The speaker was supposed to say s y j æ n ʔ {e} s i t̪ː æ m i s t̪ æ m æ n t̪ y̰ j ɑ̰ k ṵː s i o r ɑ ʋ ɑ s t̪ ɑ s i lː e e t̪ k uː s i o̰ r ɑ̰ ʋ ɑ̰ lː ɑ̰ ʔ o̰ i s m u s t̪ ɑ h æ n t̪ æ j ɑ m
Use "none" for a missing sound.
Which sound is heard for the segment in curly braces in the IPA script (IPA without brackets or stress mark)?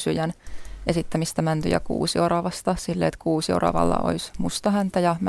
e